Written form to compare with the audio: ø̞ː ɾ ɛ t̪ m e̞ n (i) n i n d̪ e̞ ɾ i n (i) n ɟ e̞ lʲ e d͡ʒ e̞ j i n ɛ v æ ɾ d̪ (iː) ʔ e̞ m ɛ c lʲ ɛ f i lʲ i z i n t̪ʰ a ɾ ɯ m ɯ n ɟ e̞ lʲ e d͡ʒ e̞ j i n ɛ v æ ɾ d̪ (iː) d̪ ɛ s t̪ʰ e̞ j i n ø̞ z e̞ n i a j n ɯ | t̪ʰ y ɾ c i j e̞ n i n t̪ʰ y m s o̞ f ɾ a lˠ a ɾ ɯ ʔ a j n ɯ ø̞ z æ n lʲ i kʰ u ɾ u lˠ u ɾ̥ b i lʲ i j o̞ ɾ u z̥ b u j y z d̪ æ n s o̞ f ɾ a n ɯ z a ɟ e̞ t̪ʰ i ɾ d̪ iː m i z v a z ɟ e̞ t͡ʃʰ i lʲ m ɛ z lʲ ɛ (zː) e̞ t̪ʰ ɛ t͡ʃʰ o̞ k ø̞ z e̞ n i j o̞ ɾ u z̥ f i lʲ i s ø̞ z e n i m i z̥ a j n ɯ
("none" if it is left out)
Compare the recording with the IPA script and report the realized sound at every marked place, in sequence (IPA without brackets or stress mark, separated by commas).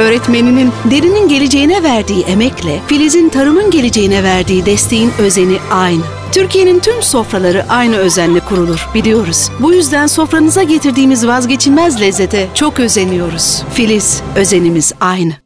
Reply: i, i, iː, iː, zː